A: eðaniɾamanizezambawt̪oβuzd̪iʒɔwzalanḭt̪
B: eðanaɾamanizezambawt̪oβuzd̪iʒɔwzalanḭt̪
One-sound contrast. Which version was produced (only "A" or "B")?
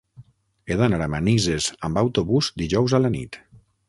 B